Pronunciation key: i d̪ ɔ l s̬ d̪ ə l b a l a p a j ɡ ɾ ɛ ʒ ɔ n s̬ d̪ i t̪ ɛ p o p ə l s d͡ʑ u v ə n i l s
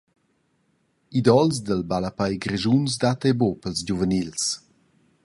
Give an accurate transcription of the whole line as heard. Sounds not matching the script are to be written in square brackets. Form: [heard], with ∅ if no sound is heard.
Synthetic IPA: i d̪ ɔ l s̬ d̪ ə l b a l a p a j ɡ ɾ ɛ ʒ [u] n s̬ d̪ [a] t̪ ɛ [b] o p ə l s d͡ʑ u v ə n i l s